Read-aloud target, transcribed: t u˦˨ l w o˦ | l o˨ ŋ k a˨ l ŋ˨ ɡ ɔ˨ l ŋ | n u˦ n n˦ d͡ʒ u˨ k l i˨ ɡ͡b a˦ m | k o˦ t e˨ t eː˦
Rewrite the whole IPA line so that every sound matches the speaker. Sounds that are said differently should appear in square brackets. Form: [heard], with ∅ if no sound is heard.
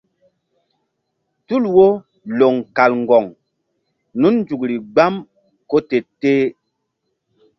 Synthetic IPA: t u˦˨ l w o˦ | l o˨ ŋ k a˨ l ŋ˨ ɡ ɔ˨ [∅] ŋ | n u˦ n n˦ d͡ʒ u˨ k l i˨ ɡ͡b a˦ m | k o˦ t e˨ t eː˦